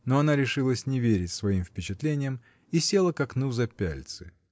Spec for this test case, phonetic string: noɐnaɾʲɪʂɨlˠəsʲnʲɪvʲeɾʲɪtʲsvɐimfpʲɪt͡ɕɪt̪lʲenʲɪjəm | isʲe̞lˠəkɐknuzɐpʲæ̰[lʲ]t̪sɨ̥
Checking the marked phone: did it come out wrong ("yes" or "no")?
no